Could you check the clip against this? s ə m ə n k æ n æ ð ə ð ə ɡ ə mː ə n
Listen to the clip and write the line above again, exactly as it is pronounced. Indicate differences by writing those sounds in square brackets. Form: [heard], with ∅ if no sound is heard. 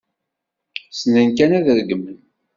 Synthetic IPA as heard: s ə [n] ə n k æ n æ ð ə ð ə ɡ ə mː ə n